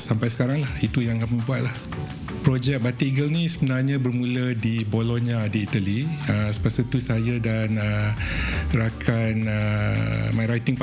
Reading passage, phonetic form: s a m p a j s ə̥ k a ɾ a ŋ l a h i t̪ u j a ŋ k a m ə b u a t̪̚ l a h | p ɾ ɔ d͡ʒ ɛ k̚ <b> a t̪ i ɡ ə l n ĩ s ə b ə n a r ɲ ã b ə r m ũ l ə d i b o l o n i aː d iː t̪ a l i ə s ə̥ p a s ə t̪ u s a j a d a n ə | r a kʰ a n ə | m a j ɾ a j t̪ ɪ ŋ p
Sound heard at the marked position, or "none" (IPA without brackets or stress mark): b